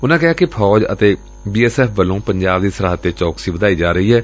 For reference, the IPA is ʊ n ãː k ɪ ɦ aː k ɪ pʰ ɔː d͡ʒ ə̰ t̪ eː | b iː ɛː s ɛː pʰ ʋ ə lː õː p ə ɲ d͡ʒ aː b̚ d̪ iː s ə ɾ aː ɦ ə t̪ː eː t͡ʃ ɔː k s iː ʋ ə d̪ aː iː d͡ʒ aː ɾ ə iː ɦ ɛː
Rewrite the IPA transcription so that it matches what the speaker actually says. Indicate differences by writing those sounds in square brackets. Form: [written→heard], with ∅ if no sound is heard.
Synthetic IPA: ʊ n ãː k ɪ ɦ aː k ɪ pʰ ɔː d͡ʒ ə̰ t̪ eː | b iː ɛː s ɛː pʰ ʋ ə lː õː p ə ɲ d͡ʒ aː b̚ d̪ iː s ə ɾ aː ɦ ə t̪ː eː t͡ʃ ɔː k s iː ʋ ə d̪ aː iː d͡ʒ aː ɾ ə iː ɦ ɛː